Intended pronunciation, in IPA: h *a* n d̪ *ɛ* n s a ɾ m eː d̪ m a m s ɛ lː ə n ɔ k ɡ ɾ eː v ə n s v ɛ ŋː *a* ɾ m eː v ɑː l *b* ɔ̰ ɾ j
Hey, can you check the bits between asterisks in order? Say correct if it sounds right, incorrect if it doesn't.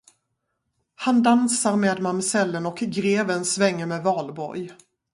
correct, incorrect: a, incorrect: ə, correct

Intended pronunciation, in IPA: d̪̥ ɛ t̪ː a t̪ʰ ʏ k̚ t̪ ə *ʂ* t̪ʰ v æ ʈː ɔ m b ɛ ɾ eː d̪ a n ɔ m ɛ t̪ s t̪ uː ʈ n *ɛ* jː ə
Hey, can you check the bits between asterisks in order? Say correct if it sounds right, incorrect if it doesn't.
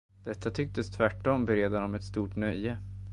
incorrect: s, incorrect: œ

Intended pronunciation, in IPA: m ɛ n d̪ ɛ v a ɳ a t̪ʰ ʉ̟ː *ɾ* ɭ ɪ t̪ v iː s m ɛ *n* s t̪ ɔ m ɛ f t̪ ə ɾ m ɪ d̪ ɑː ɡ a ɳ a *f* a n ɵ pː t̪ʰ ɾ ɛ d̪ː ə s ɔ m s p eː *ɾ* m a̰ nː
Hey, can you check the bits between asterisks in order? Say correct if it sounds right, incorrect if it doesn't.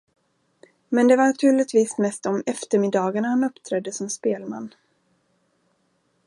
incorrect: none, incorrect: none, incorrect: h, incorrect: l

